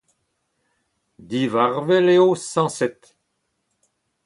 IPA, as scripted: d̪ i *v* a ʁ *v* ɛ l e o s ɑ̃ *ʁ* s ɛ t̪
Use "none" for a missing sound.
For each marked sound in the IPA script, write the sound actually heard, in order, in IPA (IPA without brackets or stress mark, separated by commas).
v, v, none